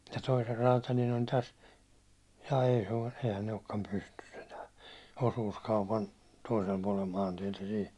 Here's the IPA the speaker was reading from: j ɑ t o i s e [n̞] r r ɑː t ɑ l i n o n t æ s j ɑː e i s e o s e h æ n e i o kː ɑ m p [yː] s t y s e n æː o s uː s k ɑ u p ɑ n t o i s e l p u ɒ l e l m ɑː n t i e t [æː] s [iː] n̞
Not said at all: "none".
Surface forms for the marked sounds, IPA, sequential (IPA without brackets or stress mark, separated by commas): none, y, æ, iː